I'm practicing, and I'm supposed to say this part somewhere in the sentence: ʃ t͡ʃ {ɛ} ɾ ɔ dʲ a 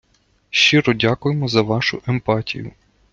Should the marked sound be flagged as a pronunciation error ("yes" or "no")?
yes